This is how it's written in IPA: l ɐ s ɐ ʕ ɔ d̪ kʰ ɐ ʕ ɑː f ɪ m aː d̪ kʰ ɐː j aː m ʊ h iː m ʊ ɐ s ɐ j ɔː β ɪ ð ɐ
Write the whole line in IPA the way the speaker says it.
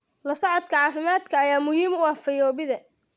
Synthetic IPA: l ɐ s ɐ ʕ ɔ d̪ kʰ ɐ ʕ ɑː f ɪ m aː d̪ kʰ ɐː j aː m ʊ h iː m ʊ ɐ f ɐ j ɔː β ɪ ð ɐ